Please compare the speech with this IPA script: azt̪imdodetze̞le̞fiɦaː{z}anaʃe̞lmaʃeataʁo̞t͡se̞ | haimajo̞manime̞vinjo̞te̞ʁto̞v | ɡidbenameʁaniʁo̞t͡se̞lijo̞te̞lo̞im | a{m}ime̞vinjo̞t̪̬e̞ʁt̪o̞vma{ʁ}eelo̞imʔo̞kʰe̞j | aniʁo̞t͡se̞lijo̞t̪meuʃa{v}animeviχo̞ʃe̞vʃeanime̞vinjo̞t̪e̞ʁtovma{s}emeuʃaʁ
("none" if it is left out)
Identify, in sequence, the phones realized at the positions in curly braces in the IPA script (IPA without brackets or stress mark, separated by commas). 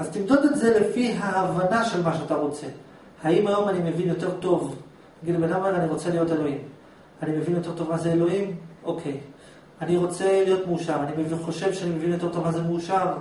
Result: v, n, z, ʁ, z